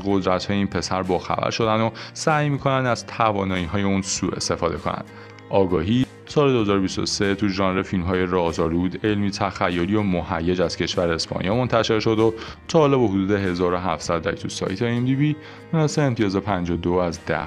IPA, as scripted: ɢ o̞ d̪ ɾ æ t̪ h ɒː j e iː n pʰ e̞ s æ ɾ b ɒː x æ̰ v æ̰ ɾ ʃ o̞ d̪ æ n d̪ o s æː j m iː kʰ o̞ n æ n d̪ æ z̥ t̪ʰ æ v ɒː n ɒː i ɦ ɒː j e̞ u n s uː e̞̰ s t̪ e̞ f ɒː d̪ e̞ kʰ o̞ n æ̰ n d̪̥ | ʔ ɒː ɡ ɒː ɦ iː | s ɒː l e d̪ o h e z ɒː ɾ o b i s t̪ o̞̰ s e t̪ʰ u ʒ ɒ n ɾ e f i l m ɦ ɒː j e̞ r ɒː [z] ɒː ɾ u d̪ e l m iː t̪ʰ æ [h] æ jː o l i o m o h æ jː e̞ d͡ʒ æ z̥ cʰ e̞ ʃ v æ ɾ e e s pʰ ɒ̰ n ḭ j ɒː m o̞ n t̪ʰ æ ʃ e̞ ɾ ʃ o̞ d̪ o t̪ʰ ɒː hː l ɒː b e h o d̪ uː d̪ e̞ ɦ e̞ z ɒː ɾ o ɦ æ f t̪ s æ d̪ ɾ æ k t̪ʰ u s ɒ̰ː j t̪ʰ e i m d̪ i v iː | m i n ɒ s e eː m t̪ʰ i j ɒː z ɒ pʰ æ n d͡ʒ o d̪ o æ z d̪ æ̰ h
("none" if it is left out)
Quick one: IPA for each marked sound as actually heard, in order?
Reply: z, x

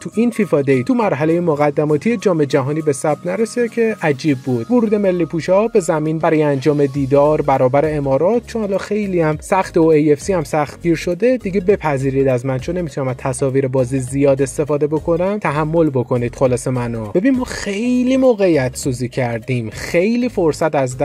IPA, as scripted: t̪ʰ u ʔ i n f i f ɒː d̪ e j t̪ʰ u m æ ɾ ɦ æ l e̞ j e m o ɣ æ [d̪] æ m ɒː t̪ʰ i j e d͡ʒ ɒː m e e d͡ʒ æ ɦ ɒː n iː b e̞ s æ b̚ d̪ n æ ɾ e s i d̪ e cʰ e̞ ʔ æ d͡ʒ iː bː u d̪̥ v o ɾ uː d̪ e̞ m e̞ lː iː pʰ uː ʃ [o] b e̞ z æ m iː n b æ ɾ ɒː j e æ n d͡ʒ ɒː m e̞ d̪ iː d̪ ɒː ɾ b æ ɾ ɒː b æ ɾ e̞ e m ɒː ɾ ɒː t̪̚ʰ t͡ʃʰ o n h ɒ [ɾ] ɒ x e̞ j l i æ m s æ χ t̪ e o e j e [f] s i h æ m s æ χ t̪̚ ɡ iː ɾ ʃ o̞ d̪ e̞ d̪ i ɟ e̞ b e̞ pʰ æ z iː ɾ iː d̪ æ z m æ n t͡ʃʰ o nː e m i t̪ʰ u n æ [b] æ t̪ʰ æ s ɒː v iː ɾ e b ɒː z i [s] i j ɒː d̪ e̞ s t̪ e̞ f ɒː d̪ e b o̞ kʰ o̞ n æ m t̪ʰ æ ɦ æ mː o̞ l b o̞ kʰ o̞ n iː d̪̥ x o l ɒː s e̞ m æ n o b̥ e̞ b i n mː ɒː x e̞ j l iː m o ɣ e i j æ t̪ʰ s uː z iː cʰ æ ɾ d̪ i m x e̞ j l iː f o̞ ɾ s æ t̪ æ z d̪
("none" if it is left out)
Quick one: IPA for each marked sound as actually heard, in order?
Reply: d̪ː, ɒ, l, f, m, z

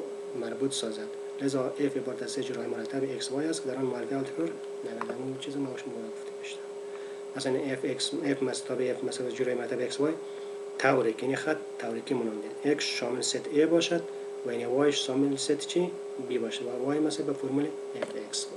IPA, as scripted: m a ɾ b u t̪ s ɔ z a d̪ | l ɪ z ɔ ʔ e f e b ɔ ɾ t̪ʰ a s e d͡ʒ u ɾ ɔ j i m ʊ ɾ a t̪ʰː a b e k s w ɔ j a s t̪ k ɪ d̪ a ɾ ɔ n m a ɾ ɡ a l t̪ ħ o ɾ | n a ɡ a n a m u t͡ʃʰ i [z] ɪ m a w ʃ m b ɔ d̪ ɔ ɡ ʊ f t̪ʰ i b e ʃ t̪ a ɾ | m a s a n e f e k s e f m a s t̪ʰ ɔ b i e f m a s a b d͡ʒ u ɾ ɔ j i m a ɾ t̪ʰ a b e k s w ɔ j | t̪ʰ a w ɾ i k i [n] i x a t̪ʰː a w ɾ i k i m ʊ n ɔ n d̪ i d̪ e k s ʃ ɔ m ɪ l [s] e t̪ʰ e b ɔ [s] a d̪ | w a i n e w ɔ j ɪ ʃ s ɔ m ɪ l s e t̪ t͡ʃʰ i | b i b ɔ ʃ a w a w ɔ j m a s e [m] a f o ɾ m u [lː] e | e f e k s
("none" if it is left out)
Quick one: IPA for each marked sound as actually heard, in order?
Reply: z, n, s, ʃ, b, l

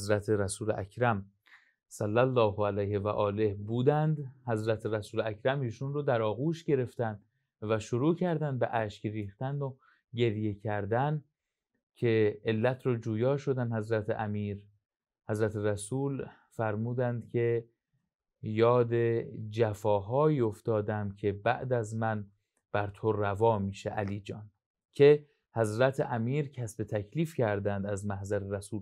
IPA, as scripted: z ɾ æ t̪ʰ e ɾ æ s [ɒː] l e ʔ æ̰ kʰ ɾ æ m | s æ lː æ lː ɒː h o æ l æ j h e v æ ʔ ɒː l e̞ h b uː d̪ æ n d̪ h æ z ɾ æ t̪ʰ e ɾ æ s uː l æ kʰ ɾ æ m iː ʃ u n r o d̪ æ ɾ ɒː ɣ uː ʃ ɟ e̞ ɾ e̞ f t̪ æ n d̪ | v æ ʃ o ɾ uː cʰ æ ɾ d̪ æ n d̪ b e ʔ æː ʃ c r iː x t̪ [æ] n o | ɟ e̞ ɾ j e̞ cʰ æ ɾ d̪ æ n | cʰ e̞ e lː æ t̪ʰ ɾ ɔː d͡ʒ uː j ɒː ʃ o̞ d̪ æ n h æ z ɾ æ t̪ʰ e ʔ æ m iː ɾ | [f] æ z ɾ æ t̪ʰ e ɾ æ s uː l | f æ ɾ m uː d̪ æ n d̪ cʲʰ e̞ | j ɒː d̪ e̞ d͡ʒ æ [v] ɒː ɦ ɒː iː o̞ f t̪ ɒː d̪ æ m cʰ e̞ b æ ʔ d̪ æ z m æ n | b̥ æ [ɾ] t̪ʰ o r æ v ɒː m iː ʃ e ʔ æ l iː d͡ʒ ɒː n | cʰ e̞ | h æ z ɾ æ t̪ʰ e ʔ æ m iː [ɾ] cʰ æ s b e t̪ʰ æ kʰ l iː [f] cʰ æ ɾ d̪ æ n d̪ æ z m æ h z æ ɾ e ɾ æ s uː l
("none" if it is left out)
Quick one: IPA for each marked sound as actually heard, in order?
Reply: uː, æ, h, f, ɾ, ɾ, f

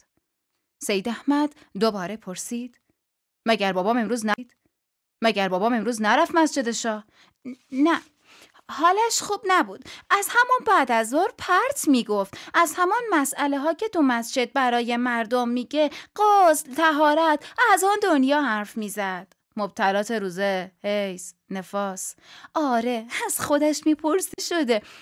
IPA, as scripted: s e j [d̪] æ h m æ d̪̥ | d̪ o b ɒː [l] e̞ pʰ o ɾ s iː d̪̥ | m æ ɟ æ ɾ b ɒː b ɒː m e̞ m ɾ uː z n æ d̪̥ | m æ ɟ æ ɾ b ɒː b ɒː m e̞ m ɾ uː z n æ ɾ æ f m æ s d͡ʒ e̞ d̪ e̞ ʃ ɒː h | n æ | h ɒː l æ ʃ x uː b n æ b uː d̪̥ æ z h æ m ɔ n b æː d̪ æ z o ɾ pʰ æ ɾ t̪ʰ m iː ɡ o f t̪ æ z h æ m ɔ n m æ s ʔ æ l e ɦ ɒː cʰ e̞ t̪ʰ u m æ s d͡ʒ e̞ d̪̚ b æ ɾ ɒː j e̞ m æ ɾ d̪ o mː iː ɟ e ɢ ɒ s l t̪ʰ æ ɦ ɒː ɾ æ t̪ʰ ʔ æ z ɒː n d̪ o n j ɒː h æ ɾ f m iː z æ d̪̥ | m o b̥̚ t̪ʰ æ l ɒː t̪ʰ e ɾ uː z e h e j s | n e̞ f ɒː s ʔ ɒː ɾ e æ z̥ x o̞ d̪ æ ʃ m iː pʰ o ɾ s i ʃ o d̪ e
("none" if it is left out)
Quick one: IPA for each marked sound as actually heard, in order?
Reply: d̪, ɾ

